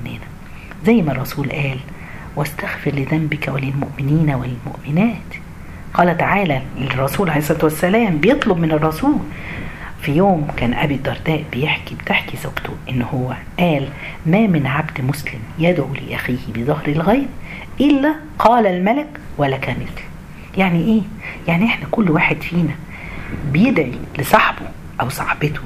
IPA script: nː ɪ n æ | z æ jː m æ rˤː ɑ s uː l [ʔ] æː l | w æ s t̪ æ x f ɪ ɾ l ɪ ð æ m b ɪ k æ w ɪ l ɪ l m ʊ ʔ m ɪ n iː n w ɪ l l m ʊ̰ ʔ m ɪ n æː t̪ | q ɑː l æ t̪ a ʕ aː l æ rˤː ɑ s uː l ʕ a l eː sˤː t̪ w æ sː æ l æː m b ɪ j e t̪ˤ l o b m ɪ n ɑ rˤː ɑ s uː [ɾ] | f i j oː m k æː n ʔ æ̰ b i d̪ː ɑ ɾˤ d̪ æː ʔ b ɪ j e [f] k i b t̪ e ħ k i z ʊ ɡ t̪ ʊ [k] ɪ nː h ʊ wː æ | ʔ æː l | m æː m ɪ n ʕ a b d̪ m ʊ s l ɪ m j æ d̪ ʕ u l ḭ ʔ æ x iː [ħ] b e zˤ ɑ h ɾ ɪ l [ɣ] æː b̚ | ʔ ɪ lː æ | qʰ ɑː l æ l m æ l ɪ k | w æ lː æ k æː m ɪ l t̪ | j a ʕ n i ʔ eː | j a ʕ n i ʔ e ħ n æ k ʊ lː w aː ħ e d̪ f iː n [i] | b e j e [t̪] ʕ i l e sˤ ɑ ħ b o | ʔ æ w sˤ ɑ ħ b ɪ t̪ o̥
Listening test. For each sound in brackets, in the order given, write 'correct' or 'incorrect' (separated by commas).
correct, incorrect, incorrect, incorrect, incorrect, correct, incorrect, incorrect